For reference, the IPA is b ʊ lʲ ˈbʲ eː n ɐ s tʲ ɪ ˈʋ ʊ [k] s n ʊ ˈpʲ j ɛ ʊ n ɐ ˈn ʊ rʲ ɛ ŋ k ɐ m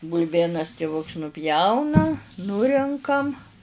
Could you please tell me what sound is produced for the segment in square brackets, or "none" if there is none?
k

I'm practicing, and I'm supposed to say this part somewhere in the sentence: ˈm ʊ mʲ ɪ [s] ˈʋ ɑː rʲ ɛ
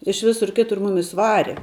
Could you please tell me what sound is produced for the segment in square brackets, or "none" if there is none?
s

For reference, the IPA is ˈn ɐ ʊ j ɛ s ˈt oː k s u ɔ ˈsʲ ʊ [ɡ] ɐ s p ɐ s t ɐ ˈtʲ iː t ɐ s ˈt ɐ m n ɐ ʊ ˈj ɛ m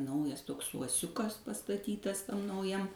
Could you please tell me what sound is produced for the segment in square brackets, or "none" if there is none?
k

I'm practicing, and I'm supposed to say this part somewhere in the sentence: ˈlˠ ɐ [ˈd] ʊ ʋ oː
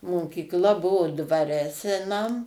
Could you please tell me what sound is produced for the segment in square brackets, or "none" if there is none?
b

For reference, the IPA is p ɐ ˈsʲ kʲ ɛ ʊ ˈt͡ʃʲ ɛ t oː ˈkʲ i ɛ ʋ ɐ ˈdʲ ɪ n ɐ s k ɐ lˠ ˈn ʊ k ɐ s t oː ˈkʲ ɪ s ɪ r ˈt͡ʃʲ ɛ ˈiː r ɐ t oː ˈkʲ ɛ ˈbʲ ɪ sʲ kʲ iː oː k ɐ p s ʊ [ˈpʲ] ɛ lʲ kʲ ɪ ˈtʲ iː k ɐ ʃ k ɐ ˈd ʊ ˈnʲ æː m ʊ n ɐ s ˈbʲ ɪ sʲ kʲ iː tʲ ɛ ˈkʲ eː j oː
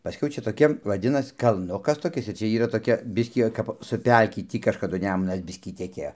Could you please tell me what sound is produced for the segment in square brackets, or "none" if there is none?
pʲ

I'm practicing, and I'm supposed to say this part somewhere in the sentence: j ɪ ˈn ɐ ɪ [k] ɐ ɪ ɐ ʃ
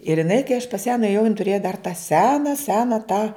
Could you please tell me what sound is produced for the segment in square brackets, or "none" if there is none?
k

